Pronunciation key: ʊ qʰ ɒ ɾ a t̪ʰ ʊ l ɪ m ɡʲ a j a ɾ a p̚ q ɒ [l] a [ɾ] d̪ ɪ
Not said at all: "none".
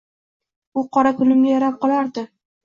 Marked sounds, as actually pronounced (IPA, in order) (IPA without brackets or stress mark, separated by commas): l, ɾ